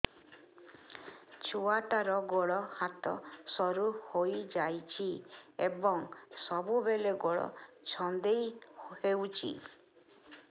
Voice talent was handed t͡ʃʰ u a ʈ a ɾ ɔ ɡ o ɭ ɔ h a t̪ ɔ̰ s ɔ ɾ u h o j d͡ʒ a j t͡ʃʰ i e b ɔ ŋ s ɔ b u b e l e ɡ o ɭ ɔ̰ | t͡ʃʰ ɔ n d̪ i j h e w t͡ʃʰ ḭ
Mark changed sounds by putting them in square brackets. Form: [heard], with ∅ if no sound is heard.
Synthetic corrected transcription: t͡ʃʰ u a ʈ a ɾ ɔ ɡ o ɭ ɔ h a t̪ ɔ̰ s ɔ ɾ u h o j d͡ʒ a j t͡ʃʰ i e b ɔ ŋ s ɔ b u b e l e ɡ o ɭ ɔ̰ | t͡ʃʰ ɔ n d̪ [e] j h e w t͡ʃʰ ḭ